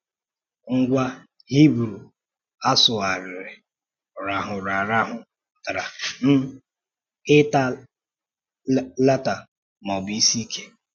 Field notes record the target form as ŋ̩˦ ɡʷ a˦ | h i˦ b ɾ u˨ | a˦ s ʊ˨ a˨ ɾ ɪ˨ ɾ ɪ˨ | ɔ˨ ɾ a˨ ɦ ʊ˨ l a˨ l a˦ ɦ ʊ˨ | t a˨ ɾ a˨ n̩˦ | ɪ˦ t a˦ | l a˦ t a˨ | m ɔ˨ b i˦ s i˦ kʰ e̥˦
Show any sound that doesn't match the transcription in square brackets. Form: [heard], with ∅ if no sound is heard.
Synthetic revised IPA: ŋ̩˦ ɡʷ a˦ | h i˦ b ɾ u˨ | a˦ s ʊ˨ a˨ ɾ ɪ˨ ɾ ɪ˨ | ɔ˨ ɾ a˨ ɦ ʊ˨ [ɾ] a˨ [ɾ] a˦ ɦ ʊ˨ | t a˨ ɾ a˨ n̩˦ | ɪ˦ t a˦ | l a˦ t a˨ | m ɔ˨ b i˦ s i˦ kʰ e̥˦

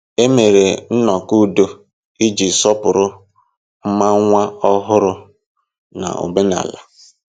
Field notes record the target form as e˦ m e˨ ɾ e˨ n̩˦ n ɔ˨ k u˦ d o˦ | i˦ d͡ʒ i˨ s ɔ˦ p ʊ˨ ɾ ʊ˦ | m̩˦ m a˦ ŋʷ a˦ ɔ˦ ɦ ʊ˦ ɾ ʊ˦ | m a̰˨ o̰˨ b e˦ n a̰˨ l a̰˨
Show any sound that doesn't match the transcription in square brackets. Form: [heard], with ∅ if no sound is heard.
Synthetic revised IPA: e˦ m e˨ ɾ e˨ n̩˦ n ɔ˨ k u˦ d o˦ | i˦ d͡ʒ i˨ s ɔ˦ p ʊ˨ ɾ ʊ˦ | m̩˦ m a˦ ŋʷ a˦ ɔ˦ ɦ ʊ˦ ɾ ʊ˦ | [n] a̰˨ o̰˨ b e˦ n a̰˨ l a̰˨

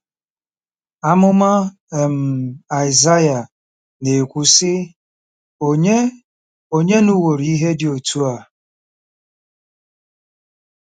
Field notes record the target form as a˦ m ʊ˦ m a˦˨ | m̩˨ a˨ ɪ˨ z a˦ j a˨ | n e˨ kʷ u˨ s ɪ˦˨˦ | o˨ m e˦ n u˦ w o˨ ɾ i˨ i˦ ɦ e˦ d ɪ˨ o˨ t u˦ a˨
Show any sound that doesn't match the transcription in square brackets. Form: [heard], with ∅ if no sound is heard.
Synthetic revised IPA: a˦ m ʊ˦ m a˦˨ | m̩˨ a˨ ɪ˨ z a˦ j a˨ | n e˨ kʷ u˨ s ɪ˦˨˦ | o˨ [ɲ] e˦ n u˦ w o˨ ɾ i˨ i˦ ɦ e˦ d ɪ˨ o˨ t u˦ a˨

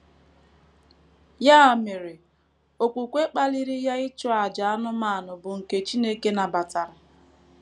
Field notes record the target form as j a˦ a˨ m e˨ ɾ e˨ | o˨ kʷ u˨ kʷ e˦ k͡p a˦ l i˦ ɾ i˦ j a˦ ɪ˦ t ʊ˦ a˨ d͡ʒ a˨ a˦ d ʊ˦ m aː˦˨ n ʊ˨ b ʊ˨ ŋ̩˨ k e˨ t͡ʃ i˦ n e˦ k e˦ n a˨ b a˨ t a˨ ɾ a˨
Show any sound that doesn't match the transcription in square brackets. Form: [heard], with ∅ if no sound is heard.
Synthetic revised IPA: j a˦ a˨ m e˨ ɾ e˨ | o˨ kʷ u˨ kʷ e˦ k͡p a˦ l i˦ ɾ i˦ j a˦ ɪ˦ [t͡ʃ] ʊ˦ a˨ d͡ʒ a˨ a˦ [n] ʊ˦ m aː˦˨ n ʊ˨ b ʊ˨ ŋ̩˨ k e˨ t͡ʃ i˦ n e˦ k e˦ n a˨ b a˨ t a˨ ɾ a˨

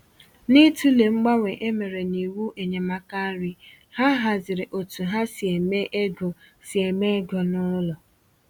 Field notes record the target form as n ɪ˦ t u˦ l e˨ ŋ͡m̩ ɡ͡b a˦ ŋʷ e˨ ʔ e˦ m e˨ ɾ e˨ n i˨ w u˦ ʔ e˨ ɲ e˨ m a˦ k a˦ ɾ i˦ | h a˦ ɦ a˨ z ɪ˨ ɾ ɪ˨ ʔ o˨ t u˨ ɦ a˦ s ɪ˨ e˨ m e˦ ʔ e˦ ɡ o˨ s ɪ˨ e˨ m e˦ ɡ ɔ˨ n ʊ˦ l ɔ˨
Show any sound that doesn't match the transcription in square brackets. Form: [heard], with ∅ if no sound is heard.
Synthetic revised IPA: n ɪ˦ t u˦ l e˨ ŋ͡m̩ ɡ͡b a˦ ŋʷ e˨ ʔ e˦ m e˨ ɾ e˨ n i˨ w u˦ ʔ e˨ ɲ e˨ m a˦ k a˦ ɾ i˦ | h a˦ ɦ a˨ z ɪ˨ ɾ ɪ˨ ʔ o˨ t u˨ ɦ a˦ s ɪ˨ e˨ m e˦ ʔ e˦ ɡ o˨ s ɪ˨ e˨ m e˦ ɡ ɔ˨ n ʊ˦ l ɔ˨

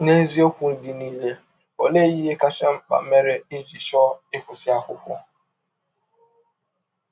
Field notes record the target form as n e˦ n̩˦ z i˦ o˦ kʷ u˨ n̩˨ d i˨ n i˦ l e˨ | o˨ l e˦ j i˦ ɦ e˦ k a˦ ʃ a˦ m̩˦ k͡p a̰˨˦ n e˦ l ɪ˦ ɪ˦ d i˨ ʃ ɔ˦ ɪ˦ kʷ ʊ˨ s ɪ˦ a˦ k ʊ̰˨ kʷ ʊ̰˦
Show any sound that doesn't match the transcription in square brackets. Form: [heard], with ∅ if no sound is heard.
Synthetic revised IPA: n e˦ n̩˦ z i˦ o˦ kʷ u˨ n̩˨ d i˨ n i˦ l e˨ | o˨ l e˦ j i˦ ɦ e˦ k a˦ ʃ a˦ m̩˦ k͡p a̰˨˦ [m] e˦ [ɾ] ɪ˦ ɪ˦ [d͡ʒ] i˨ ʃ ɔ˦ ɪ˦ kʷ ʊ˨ s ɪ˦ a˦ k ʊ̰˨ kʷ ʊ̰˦

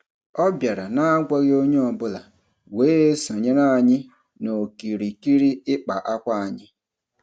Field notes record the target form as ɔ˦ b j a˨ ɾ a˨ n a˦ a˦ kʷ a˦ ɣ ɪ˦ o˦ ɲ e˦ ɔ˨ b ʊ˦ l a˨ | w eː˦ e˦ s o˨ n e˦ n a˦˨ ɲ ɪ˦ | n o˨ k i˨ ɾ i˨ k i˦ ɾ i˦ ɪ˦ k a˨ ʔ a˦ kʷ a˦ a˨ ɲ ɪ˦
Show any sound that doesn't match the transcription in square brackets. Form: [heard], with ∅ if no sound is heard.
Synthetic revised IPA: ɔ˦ b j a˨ ɾ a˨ n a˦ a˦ [ɡʷ] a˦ ɣ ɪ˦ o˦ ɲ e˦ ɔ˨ b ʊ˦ l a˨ | w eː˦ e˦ s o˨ [ɲ] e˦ n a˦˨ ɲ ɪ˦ | n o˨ k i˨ ɾ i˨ k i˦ ɾ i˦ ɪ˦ [k͡p] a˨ ʔ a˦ kʷ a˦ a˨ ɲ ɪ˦

